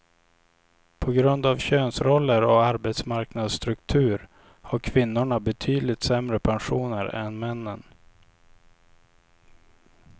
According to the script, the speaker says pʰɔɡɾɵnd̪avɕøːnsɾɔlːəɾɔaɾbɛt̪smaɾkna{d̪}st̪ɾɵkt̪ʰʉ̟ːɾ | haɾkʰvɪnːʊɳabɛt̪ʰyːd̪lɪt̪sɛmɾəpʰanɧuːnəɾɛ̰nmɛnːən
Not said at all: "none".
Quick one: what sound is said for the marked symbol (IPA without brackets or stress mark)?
d̪